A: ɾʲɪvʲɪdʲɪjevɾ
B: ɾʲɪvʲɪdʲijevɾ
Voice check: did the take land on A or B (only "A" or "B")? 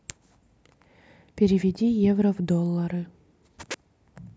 B